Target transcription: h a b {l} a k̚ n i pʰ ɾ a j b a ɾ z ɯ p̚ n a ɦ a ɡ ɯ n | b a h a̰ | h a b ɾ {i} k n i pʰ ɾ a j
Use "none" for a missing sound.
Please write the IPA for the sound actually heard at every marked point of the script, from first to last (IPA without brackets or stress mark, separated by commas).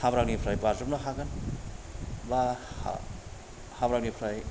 ɾ, a